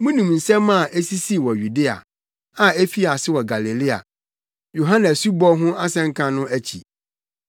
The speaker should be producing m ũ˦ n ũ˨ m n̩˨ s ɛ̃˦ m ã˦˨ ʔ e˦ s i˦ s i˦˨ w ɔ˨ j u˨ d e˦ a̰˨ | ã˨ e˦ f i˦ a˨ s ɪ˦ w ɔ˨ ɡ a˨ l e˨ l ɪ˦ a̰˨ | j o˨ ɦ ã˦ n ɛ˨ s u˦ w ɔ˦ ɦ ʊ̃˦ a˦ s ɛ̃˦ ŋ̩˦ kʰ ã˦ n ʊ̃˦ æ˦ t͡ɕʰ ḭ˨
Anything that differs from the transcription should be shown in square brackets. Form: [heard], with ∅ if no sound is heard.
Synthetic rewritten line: m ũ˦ n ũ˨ m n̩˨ s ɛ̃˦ m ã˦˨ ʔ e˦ s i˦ s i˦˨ w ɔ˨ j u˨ d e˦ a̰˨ | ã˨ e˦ f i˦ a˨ s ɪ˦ w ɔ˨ ɡ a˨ l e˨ l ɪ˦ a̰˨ | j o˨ ɦ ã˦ n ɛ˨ s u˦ [b] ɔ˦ ɦ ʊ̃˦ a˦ s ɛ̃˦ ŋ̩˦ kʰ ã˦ n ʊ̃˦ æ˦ t͡ɕʰ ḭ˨